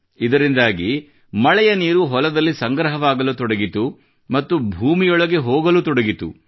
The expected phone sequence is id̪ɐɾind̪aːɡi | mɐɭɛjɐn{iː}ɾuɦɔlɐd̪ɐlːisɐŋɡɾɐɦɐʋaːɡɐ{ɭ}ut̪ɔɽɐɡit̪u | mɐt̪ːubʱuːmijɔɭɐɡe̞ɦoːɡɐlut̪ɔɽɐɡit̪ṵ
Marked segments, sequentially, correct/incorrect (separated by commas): correct, incorrect